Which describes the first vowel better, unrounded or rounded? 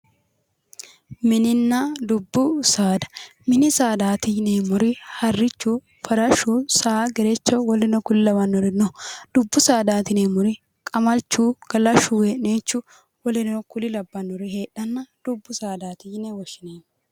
unrounded